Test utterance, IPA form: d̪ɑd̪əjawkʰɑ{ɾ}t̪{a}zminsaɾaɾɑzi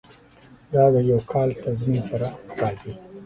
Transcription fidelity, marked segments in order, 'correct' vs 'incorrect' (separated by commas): incorrect, correct